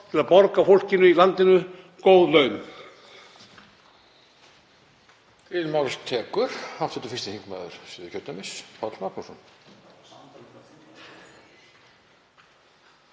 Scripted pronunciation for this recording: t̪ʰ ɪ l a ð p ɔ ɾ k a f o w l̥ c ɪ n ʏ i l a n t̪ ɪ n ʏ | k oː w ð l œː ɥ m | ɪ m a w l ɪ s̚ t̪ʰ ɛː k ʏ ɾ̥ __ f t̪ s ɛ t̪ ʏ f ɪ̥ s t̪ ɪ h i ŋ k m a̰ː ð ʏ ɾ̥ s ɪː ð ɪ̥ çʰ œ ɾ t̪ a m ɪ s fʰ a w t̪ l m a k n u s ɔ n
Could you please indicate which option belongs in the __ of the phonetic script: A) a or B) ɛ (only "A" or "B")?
A